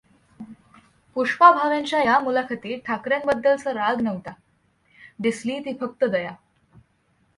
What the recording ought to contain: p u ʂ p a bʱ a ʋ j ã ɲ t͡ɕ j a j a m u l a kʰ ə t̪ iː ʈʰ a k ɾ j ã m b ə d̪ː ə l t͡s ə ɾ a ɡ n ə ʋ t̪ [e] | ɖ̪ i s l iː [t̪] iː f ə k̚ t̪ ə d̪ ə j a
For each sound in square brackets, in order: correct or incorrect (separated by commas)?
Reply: incorrect, correct